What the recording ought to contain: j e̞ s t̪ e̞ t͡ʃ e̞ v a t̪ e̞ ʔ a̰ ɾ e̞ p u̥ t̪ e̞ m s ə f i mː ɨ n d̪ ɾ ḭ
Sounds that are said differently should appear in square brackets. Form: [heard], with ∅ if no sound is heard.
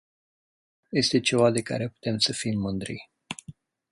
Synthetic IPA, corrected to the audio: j e̞ s t̪ e̞ t͡ʃ e̞ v a [d̪] e̞ [k] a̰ ɾ e̞ p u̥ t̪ e̞ m s ə f i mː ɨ n d̪ ɾ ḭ